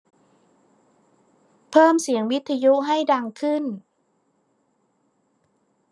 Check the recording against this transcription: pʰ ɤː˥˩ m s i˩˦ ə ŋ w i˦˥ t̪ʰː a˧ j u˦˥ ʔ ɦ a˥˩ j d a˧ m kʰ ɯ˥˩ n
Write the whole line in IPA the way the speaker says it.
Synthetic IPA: pʰ ɤː˥˩ m s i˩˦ ə ŋ w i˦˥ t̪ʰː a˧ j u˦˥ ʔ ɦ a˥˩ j d a˧ ŋ kʰ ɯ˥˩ n